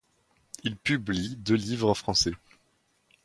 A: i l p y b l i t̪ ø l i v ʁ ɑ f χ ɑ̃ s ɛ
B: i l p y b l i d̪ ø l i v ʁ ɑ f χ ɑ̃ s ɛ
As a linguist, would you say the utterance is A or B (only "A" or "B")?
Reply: B